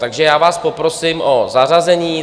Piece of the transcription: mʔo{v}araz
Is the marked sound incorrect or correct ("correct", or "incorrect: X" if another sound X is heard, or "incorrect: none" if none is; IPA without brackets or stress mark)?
incorrect: z